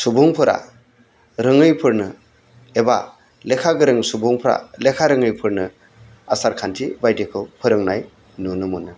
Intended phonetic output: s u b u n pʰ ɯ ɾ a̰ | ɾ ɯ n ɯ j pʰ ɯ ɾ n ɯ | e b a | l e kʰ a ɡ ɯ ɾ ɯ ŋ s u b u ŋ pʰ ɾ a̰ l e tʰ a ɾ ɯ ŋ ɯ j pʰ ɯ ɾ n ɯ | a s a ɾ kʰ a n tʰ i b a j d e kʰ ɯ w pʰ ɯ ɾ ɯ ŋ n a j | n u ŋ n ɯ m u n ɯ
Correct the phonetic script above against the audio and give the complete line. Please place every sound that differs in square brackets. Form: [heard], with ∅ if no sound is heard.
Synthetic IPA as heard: s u b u [ŋ] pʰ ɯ ɾ a̰ | ɾ ɯ [ŋ] ɯ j pʰ ɯ ɾ n ɯ | e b a | l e kʰ a ɡ ɯ ɾ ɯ ŋ s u b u ŋ pʰ ɾ a̰ l e [kʰ] a ɾ ɯ ŋ ɯ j pʰ ɯ ɾ n ɯ | a s a ɾ kʰ a n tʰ i b a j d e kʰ ɯ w pʰ ɯ ɾ ɯ ŋ n a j | n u [∅] n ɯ m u n ɯ